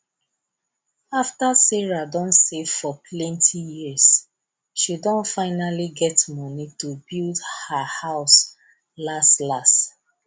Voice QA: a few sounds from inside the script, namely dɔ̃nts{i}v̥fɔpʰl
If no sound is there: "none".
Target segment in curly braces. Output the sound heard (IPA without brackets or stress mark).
e